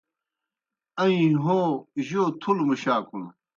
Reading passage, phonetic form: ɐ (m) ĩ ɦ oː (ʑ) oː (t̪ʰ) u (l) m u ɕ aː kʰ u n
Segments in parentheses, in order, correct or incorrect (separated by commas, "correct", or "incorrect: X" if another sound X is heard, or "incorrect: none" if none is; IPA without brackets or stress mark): incorrect: none, correct, correct, correct